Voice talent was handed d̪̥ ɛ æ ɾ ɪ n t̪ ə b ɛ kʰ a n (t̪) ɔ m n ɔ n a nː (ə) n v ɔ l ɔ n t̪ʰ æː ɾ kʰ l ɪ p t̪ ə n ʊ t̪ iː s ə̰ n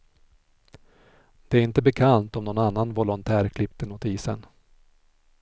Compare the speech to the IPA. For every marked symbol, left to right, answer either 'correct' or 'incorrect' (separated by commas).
correct, incorrect